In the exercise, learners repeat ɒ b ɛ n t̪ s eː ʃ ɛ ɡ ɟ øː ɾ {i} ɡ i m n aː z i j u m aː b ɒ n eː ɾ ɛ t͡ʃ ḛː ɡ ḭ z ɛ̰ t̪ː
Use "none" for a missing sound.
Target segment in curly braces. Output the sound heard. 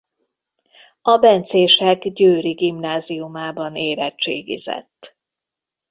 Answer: i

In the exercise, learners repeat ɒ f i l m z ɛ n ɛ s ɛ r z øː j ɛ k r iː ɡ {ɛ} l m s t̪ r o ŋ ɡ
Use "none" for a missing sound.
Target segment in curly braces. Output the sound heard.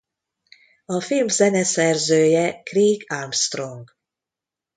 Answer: a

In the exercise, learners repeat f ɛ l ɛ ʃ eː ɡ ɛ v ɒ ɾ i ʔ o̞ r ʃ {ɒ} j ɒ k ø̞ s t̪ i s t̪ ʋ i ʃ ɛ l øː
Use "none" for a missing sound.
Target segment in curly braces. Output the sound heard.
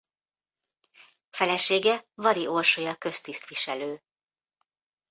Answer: o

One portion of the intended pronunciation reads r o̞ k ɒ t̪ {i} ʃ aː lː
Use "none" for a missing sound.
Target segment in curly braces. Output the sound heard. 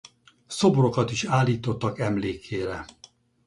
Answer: i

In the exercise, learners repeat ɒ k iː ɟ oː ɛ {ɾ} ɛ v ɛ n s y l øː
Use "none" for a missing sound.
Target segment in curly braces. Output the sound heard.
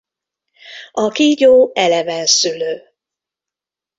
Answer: l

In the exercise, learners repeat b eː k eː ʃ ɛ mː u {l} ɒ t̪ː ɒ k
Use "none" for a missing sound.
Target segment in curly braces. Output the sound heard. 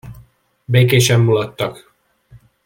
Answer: l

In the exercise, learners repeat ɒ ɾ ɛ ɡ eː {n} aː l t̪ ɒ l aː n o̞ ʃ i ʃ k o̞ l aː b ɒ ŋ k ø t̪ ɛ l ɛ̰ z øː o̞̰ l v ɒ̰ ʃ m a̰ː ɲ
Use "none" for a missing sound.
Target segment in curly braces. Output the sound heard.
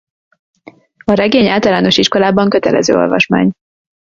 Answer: ɲ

